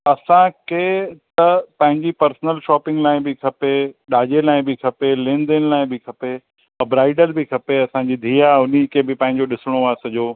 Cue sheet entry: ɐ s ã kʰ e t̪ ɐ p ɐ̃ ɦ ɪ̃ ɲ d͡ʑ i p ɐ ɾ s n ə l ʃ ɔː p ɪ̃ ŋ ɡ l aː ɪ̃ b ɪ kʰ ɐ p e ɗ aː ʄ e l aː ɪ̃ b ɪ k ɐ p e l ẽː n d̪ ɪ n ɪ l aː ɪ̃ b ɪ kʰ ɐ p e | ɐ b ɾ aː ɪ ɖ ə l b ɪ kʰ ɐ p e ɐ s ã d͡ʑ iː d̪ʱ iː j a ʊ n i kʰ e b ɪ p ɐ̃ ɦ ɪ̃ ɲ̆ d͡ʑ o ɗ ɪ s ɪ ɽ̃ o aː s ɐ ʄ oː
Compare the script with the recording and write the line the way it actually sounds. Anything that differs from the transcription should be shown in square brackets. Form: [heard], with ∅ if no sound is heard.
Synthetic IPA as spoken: ɐ s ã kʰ e t̪ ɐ p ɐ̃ ɦ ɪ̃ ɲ d͡ʑ i p ɐ ɾ s n ə l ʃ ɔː p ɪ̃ ŋ ɡ l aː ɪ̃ b ɪ kʰ ɐ p e ɗ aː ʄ e l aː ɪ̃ b ɪ [kʰ] ɐ p e l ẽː n d̪ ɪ n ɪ l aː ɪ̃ b ɪ kʰ ɐ p e | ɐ b ɾ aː ɪ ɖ ə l b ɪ kʰ ɐ p e ɐ s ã d͡ʑ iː d̪ʱ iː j a ʊ n i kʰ e b ɪ p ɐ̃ ɦ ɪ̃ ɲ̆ d͡ʑ o ɗ ɪ s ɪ ɽ̃ o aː s ɐ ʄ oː